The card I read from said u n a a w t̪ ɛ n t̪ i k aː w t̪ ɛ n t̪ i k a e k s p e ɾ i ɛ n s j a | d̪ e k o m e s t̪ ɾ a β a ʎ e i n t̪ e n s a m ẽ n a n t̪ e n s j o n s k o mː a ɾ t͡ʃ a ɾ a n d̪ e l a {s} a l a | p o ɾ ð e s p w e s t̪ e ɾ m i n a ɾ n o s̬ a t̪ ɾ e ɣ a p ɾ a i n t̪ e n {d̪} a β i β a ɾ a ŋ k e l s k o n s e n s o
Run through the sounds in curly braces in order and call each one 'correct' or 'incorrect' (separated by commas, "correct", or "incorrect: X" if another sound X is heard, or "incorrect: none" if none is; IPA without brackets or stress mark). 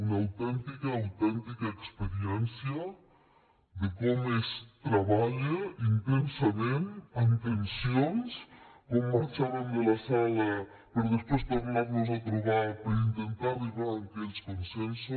correct, incorrect: t̪